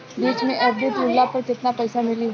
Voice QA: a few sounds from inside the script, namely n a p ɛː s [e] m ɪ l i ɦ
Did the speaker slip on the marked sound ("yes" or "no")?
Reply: yes